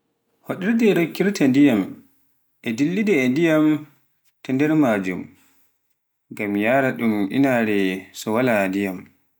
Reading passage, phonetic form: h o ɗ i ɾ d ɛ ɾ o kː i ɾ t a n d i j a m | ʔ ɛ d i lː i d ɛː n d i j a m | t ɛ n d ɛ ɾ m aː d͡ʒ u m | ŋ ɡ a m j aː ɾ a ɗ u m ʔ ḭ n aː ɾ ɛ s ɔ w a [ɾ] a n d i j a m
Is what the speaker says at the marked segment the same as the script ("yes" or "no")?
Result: no